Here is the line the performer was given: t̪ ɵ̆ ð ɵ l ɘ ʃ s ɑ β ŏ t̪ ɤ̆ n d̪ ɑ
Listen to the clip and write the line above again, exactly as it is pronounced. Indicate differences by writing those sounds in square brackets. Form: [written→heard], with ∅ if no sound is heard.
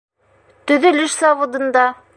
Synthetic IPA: t̪ ɵ̆ ð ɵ l ɘ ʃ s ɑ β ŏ [t̪→d̪] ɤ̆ n d̪ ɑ